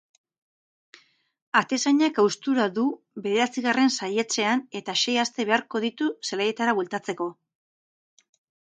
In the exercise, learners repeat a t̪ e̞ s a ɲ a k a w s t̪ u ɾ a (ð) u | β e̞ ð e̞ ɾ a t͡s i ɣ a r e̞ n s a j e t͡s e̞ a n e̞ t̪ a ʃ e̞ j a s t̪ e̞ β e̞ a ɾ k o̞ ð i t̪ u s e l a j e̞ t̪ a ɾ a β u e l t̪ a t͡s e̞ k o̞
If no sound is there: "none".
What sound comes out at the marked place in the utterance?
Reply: ð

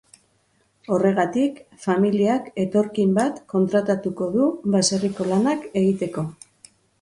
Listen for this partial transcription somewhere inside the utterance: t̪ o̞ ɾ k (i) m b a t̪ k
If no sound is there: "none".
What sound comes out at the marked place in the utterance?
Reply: i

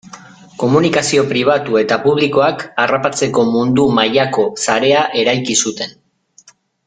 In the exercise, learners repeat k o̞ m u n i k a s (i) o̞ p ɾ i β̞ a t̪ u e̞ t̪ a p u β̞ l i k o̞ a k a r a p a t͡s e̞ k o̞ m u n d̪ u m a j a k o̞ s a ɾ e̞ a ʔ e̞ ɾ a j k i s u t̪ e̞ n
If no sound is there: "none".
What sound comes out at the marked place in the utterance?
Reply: i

